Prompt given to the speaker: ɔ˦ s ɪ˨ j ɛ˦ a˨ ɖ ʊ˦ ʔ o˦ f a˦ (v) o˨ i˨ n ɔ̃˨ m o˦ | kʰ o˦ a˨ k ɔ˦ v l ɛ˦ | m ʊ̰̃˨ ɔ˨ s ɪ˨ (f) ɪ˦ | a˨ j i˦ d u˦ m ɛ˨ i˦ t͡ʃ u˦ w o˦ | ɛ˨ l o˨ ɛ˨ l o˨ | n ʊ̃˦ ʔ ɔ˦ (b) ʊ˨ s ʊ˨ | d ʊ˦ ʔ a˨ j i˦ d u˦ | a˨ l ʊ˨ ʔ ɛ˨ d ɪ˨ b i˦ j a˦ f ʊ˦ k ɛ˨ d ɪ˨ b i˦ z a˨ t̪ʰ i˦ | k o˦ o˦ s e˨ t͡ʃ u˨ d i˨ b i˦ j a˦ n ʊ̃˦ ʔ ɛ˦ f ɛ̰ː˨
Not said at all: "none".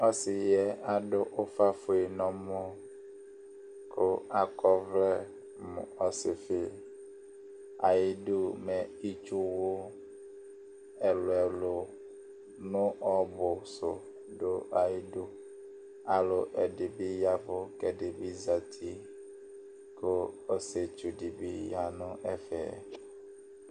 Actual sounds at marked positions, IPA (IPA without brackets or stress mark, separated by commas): f, f, b